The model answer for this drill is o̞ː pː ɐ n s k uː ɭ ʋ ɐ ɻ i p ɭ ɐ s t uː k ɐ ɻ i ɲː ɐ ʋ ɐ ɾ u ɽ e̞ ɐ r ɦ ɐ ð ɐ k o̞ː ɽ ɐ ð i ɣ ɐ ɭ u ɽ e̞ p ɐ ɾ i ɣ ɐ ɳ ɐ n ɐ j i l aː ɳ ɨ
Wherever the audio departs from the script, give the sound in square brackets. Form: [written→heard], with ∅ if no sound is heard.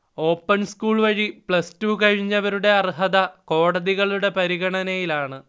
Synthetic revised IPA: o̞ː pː ɐ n s k uː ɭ ʋ ɐ ɻ i p ɭ ɐ s t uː k ɐ ɻ i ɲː ɐ ʋ ɐ ɾ u ɽ e̞ ɐ r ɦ ɐ ð ɐ k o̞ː ɽ ɐ ð i ɣ ɐ ɭ u ɽ e̞ p ɐ ɾ i ɣ ɐ ɳ ɐ n ɐ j i l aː ɳ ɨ